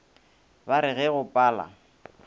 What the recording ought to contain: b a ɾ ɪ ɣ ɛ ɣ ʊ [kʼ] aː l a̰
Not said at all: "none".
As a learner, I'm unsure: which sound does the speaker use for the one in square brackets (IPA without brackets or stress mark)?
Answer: pʼ